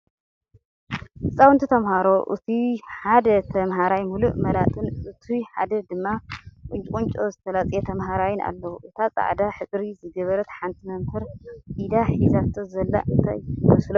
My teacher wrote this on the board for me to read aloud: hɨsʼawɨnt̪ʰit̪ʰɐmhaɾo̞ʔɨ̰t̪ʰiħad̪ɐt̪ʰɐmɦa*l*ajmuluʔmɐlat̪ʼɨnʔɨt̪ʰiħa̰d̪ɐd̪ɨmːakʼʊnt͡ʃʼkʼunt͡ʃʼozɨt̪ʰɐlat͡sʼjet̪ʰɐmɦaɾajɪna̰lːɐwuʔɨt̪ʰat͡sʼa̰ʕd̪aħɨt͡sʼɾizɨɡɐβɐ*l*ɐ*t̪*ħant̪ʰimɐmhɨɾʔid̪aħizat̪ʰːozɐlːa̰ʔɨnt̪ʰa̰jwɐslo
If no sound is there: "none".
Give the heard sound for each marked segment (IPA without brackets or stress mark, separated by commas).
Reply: ɾ, ɾ, t̪